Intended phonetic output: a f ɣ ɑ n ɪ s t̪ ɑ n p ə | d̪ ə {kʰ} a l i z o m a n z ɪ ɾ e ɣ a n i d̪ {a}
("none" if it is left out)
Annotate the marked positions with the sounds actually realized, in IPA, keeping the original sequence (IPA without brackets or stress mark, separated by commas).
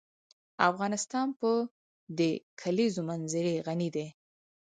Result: kʰ, e